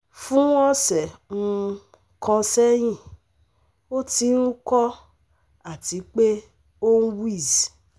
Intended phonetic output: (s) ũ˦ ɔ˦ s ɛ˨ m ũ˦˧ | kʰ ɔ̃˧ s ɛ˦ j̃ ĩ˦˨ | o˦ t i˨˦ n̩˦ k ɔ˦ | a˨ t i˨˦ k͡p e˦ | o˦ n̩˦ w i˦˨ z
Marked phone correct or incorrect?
incorrect